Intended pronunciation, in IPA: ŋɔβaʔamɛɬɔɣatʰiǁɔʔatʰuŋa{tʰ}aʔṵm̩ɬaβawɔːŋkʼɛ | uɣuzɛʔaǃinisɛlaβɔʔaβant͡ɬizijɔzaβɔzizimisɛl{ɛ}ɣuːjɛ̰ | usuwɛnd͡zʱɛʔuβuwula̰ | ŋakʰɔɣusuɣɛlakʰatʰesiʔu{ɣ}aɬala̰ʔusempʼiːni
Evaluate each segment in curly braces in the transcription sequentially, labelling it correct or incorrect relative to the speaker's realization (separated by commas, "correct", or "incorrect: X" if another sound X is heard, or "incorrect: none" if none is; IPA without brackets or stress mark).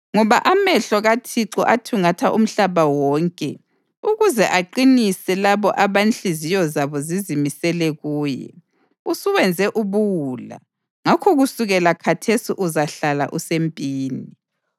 correct, correct, incorrect: z